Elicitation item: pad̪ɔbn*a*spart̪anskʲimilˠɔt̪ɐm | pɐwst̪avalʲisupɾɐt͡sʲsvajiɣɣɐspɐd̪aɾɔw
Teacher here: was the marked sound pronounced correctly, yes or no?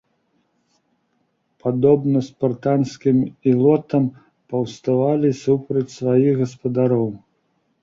no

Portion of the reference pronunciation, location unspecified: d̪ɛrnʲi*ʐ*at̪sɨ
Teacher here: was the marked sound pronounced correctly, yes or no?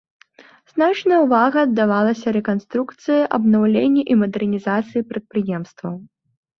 no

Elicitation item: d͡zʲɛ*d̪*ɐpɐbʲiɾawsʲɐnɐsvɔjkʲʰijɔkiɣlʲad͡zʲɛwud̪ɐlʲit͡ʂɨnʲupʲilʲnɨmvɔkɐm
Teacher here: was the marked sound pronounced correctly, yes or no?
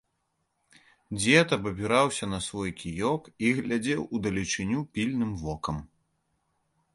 no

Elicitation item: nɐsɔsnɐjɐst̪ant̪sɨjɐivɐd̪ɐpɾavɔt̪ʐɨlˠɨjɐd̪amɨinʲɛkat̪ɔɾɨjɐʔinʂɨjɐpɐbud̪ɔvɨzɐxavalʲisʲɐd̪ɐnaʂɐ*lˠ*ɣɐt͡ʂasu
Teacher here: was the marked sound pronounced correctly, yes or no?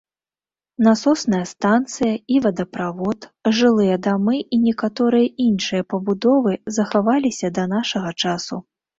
no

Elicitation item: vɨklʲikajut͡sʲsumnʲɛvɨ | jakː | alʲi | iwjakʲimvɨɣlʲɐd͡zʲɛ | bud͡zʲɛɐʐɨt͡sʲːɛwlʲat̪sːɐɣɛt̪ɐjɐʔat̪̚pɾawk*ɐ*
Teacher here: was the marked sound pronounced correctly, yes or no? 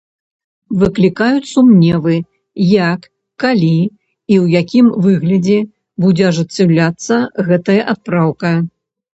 yes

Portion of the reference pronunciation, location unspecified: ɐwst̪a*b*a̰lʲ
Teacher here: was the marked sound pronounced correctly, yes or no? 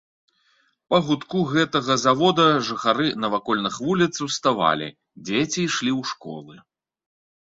no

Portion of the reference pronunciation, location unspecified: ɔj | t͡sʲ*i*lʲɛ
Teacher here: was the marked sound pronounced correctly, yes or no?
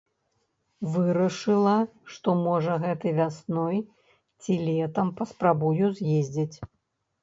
yes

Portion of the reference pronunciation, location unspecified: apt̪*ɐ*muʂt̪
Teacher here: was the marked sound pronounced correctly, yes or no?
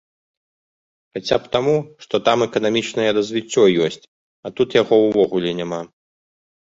no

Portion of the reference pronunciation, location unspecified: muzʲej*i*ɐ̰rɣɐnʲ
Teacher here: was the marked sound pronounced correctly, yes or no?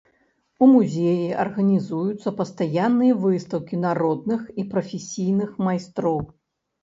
yes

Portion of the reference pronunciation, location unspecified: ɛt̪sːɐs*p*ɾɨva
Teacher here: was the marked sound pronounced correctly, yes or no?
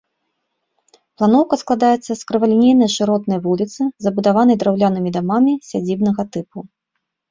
no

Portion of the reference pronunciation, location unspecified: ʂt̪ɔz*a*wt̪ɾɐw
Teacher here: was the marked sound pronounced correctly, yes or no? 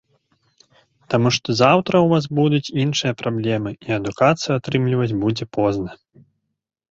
yes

